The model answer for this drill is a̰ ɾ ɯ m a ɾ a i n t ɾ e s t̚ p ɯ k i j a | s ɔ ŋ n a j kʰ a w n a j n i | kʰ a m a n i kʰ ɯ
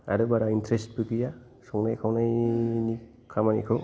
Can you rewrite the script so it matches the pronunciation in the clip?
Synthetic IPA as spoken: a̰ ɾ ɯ b a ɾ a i n t ɾ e s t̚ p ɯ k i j a | s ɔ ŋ n a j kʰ a w n a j n i | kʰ a m a n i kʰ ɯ